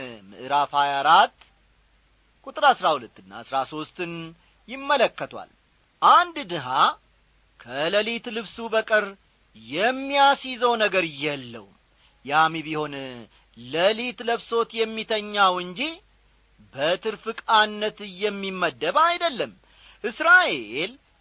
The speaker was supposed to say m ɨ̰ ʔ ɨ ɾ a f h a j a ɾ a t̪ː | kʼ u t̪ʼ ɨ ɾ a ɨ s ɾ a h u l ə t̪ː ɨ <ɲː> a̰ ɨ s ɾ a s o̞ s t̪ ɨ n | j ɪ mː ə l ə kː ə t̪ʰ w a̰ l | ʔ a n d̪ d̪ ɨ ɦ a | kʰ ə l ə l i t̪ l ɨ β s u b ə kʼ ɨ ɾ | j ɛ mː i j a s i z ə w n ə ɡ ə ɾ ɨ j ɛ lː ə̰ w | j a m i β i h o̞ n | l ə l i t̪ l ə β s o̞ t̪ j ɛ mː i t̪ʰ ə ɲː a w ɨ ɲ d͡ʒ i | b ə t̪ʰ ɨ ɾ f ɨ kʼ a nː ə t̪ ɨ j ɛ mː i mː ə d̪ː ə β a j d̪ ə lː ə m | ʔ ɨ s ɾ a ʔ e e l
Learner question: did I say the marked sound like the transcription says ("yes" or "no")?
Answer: no